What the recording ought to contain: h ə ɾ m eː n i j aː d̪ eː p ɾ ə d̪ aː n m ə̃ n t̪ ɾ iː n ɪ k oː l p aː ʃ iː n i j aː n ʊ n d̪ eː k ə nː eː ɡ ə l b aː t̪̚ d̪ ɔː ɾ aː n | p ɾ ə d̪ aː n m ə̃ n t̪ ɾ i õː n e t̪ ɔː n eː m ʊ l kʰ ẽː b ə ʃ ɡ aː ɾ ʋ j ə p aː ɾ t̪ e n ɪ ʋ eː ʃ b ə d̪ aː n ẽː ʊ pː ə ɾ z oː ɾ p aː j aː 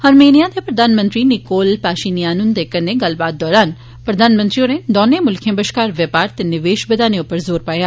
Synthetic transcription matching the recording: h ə ɾ m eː n i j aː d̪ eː p ɾ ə d̪ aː n m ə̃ n t̪ ɾ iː n ɪ k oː l p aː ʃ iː n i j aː n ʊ n d̪ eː k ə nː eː ɡ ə l b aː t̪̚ d̪ ɔː ɾ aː n | p ɾ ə d̪ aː n m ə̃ n t̪ ɾ i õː n e d̪ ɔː n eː m ʊ l kʰ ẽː b ə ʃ k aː ɾ ʋ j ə p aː ɾ t̪ e n ɪ ʋ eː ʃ b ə d̪ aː n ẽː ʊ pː ə ɾ z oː ɾ p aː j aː